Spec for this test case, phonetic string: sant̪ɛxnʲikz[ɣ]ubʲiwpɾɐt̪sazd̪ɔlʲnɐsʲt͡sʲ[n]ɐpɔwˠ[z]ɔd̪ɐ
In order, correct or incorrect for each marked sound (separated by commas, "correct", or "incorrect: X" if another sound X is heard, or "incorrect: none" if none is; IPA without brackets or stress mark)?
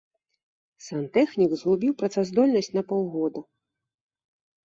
correct, correct, incorrect: ɣ